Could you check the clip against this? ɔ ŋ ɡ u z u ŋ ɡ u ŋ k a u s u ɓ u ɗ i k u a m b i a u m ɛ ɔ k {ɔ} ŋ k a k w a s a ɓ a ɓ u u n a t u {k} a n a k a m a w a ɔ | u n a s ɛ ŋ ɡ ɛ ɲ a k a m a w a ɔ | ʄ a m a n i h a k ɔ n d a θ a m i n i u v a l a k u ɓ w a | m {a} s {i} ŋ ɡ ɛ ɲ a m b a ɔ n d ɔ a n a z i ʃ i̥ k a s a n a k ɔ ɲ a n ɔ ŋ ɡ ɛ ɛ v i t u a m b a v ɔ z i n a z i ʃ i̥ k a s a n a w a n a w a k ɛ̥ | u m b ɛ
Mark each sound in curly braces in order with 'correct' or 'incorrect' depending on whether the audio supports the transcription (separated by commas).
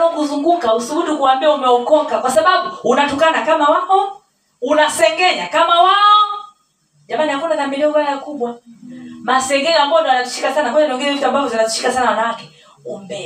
correct, correct, correct, incorrect